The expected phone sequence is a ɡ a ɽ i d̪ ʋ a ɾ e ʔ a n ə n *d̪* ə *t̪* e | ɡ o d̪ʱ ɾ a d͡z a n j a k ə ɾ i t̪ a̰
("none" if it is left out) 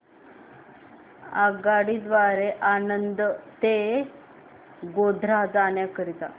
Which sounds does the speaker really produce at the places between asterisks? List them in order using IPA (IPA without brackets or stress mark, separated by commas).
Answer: d̪, t̪